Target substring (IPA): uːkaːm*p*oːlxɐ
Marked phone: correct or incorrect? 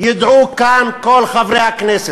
incorrect